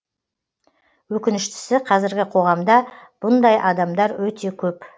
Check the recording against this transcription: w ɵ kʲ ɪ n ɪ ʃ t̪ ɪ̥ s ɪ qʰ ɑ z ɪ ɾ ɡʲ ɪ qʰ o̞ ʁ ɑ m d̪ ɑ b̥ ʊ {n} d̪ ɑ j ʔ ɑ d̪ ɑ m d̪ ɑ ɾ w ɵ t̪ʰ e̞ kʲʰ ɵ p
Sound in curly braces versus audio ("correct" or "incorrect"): correct